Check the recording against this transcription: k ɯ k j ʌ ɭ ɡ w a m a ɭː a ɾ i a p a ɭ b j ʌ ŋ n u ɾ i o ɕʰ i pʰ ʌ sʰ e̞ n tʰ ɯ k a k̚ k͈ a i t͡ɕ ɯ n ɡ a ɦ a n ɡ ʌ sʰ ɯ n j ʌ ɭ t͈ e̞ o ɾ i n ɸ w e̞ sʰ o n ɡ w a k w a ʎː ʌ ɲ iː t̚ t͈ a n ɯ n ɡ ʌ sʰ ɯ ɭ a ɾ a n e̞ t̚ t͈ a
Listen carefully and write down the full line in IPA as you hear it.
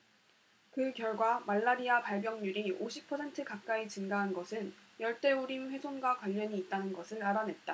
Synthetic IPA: k ɯ k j ʌ ɭ ɡ w a m a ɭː a ɾ i a p a ɭ b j ʌ ŋ ɲ u ɾ i o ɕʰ i pʰ ʌ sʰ e̞ n tʰ ɯ k a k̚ k͈ a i t͡ɕ ɯ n ɡ a ɦ a n ɡ ʌ sʰ ɯ n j ʌ ɭ t͈ e̞ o ɾ i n ɸ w e̞ sʰ o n ɡ w a k w a ʎː ʌ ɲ iː t̚ t͈ a n ɯ n ɡ ʌ sʰ ɯ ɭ a ɾ a n e̞ t̚ t͈ a